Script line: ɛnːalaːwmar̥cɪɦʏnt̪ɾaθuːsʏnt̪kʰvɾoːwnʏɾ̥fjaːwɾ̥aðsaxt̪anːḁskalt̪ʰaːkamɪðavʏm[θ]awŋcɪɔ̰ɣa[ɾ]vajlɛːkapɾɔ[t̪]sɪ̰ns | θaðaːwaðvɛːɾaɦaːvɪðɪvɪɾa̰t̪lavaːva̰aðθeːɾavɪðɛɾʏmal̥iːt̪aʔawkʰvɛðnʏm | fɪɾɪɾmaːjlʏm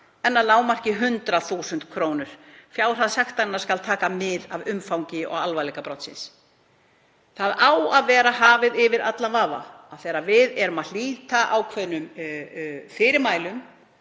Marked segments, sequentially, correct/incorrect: incorrect, incorrect, correct

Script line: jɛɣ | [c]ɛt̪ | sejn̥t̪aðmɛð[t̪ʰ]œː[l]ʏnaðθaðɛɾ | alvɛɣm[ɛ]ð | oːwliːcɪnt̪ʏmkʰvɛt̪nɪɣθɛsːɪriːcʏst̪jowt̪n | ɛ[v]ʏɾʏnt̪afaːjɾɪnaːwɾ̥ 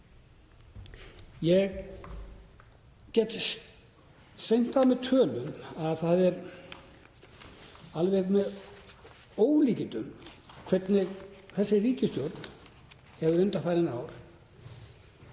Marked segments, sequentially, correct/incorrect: correct, correct, correct, correct, correct

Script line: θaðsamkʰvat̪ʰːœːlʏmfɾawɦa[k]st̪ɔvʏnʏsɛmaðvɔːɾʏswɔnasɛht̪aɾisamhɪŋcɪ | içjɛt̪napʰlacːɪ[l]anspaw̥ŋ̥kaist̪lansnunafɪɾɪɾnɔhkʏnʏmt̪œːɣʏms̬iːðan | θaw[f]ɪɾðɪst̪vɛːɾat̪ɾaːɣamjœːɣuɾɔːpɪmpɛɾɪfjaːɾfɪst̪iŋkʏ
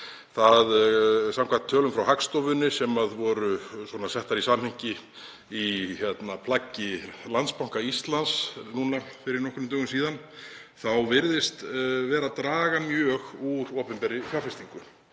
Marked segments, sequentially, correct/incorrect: correct, correct, incorrect

